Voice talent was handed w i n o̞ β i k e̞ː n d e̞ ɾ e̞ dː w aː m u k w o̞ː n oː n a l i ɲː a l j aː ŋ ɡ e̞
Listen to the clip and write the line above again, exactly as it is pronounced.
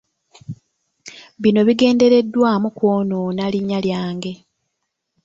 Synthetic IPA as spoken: β i n o̞ β i ɡ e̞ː n d e̞ ɾ e̞ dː w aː m u k w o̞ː n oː n a l i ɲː a l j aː ŋ ɡ e̞